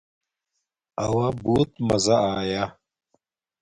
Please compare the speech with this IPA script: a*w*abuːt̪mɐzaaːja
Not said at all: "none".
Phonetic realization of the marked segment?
w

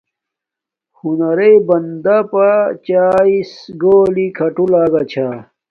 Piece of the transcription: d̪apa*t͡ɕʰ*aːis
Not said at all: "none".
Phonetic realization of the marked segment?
t͡ɕ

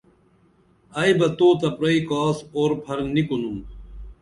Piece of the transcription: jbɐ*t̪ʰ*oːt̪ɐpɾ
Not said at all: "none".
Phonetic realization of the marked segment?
t̪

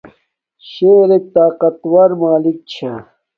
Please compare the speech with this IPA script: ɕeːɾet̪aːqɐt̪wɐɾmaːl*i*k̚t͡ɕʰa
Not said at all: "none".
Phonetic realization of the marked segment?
i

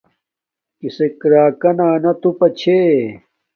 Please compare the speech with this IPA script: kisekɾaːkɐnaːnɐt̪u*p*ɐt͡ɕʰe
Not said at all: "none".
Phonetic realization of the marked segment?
p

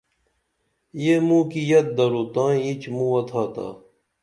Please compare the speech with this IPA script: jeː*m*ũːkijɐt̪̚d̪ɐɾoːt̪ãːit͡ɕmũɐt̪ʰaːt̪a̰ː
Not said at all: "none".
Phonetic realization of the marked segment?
m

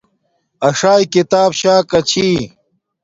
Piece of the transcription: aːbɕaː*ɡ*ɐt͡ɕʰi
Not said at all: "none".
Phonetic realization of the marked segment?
k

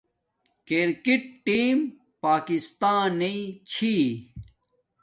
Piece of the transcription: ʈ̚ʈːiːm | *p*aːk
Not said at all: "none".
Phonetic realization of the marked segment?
p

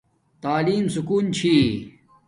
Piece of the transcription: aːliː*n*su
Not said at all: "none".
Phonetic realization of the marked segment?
m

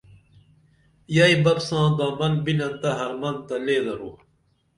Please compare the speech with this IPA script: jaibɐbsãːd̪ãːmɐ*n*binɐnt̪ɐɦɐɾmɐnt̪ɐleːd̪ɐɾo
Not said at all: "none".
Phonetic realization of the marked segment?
n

